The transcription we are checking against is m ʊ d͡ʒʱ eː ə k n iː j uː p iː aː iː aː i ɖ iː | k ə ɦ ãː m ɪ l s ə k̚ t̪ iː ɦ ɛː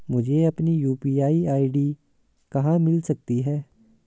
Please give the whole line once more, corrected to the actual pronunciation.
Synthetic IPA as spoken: m ʊ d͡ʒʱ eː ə p n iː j uː p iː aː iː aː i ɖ iː | k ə ɦ ãː m ɪ l s ə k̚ t̪ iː ɦ ɛː